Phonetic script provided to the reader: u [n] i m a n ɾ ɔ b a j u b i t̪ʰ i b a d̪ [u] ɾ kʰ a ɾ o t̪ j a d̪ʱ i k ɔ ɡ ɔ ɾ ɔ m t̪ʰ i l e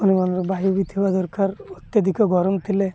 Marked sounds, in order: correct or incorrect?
correct, incorrect: ɔ

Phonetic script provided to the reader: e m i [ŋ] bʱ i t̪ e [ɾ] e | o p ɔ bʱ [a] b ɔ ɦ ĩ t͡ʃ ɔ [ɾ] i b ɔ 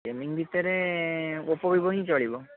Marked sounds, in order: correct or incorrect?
correct, correct, incorrect: i, incorrect: ɭ

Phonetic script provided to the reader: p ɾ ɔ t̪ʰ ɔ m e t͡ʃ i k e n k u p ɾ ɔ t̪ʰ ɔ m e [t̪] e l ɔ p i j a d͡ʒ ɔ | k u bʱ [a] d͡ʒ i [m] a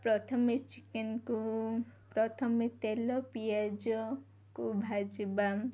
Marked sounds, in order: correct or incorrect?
correct, correct, incorrect: b

